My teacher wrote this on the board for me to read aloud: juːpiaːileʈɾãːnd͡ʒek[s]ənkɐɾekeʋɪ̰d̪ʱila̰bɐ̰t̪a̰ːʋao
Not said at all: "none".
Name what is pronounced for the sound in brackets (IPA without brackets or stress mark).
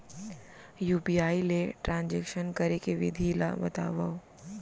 ʃ